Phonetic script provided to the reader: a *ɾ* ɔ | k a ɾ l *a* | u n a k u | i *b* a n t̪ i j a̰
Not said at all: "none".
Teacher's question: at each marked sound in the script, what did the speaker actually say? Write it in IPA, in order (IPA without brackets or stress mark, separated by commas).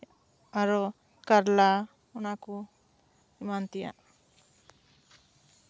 ɾ, a, m